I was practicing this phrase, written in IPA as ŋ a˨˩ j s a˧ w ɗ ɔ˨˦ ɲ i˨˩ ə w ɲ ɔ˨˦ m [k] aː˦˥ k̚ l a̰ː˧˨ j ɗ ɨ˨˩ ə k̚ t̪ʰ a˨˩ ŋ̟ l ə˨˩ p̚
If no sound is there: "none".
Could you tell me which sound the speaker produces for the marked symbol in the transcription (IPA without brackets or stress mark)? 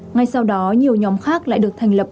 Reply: x